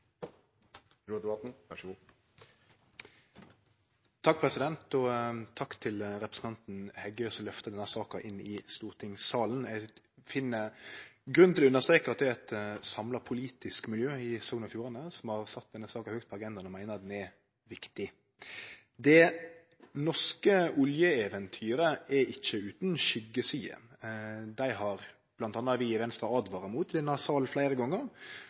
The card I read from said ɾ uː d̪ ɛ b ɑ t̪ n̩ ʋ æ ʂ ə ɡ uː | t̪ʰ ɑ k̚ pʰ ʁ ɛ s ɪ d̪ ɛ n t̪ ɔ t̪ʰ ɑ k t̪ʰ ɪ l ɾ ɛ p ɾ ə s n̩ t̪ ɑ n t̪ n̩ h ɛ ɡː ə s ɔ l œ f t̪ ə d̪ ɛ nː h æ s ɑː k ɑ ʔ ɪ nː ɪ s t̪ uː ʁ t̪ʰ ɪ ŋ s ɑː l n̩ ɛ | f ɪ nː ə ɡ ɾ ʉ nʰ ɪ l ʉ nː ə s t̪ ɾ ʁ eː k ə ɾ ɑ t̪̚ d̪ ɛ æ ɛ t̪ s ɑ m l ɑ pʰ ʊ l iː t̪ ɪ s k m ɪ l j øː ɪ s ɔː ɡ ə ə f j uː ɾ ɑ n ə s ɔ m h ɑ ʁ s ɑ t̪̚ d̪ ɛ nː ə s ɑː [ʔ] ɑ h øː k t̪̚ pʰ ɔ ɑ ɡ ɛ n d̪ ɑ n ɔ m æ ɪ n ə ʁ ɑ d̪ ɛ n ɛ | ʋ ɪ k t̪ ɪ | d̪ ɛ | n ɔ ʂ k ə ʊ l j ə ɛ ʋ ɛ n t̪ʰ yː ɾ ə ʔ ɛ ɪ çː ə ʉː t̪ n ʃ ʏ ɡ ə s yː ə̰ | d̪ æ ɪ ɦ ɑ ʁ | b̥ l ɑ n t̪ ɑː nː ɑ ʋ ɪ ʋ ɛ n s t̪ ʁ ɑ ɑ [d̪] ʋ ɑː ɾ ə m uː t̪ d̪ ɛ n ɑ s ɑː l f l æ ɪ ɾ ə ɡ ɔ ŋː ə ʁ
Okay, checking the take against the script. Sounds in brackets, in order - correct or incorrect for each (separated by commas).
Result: incorrect, correct